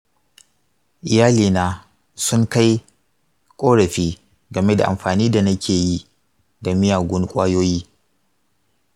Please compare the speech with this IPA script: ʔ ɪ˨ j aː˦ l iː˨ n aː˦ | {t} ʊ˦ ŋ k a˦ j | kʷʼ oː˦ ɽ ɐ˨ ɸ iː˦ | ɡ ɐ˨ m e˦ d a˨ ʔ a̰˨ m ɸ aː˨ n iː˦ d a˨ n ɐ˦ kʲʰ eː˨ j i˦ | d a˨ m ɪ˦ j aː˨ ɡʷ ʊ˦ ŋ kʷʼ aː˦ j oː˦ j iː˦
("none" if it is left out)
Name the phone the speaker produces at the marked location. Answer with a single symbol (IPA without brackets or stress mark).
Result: s